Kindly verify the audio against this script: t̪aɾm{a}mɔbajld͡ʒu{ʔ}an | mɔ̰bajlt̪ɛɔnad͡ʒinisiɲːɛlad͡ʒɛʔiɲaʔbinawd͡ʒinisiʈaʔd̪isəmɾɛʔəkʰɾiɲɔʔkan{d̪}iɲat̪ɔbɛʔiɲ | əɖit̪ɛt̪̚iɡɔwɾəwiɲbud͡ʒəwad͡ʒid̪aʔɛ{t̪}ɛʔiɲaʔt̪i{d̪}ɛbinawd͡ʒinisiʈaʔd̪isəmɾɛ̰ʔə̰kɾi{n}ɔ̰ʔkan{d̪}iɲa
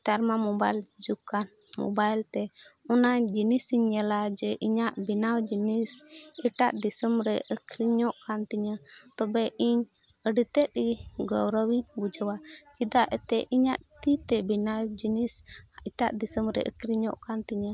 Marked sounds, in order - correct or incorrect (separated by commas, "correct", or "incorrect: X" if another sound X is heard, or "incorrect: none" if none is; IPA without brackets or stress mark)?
correct, incorrect: k, incorrect: t̪, correct, incorrect: t̪, incorrect: ɲ, incorrect: t̪